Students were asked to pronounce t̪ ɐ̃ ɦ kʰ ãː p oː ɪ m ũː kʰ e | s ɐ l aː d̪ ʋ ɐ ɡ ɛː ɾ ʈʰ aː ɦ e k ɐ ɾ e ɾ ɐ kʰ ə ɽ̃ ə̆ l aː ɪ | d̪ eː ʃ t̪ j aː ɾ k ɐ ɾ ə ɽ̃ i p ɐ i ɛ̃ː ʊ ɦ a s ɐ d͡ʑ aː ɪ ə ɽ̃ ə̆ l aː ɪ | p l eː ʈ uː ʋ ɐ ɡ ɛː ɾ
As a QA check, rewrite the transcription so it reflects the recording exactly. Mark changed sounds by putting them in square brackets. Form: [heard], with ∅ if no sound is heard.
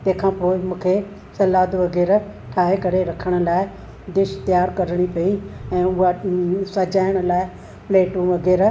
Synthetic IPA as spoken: t̪ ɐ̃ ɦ kʰ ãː p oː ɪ m ũː kʰ e | s ɐ l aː d̪ ʋ ɐ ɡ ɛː ɾ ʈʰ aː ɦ e k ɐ ɾ e ɾ ɐ kʰ ə ɽ̃ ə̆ l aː ɪ | d̪ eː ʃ t̪ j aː ɾ k ɐ ɾ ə ɽ̃ i p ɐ i ɛ̃ː ʊ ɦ a s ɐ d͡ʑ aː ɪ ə ɽ̃ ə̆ l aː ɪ | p l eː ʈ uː ʋ ɐ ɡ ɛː ɾ